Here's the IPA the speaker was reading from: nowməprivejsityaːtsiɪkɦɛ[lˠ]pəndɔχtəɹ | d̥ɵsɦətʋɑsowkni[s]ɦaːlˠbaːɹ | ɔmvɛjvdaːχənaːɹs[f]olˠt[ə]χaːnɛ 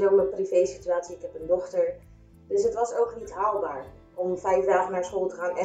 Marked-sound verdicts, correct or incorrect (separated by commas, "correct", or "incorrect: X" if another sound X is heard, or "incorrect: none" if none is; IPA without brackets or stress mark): incorrect: none, incorrect: t, incorrect: χ, correct